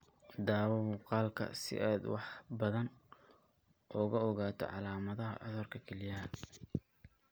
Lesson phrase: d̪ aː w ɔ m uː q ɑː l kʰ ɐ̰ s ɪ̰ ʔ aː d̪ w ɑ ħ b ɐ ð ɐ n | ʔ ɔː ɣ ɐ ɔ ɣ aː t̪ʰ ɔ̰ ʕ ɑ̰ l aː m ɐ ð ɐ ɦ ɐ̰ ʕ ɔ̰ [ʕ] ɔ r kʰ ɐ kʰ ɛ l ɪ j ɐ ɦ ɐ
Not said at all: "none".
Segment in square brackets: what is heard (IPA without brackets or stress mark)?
ð